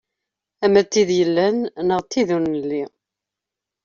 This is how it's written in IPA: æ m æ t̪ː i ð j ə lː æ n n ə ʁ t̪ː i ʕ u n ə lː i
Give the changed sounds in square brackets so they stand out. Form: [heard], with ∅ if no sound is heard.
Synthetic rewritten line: æ m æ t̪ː i ð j ə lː æ n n ə ʁ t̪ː i [ð] u n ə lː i

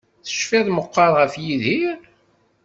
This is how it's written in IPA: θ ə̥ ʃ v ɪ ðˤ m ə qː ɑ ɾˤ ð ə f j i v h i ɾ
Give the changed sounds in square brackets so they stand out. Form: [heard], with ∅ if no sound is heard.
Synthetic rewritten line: θ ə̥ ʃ [f] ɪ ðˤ m ə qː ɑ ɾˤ [ʁ] ə f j i [ð] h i ɾ

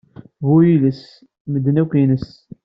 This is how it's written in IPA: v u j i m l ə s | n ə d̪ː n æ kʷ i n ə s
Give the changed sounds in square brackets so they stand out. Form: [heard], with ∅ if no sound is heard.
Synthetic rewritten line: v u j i [∅] l ə s | [m] ə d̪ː n æ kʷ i n ə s

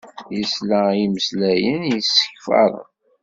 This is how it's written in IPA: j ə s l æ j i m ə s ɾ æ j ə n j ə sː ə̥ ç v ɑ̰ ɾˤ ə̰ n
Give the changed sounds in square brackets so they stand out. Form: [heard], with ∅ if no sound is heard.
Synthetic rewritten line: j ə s l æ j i m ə s [l] æ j ə n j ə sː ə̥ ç [f] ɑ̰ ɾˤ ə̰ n

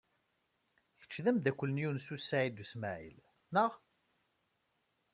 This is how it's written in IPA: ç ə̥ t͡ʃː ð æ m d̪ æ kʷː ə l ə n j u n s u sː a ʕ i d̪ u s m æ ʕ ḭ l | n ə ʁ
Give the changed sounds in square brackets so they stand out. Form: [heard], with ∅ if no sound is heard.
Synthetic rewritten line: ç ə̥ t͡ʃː ð æ m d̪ æ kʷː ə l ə n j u n s u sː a ʕ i d̪ u s m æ ʕ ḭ l | n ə ʁ

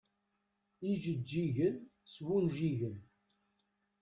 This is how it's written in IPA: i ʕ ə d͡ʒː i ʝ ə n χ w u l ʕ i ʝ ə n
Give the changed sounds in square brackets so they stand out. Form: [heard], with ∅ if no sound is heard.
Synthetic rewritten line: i [ʒ] ə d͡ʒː i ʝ ə n [s] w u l [ʒ] i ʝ ə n

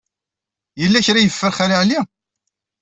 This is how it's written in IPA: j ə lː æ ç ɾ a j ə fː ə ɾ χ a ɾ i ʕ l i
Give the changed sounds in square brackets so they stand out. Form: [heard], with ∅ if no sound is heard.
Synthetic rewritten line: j ə lː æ ç ɾ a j ə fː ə ɾ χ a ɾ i ʕ l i

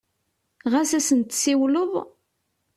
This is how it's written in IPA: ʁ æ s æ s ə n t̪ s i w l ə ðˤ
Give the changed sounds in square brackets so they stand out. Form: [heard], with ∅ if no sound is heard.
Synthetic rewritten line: ʁ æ s æ s ə n t̪ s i w l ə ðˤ

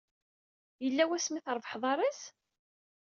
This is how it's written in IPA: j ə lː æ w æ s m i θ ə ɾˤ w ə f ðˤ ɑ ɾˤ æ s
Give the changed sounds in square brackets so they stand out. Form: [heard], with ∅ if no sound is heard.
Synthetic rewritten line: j ə lː æ w æ s m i θ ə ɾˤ [v] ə [ħ] ðˤ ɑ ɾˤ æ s

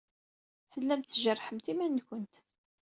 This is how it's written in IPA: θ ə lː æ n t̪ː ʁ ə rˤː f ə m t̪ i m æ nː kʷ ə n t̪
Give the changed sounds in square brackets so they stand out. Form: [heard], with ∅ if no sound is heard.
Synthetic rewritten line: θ ə lː æ [m] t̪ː [ʒ] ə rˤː [ħ] ə m t̪ i m æ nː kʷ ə n t̪

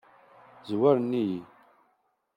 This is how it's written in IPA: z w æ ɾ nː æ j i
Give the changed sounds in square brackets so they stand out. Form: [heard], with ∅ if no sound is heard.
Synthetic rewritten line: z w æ ɾ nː [i] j i

